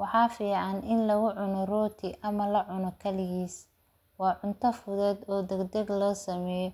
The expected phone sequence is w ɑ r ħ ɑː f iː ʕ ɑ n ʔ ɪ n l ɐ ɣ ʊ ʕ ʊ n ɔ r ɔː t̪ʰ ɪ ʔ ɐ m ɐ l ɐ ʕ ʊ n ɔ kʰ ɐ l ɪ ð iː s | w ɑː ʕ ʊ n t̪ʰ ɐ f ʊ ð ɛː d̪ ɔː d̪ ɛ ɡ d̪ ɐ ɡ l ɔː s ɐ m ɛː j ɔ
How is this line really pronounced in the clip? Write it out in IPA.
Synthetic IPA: w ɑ ħ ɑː f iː ʕ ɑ n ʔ ɪ n l ɐ ɣ ʊ ʕ ʊ n ɔ r ɔː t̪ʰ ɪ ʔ ɐ m ɐ l ɐ ʕ ʊ n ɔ kʰ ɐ l ɪ ɣ iː s | w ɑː ʕ ʊ n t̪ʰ ɐ f ʊ ð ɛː d̪ ɔː d̪ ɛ ɡ d̪ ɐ ɡ l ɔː s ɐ m ɛː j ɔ